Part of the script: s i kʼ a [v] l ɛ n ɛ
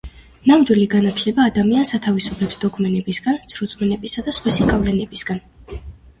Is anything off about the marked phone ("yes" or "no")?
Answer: no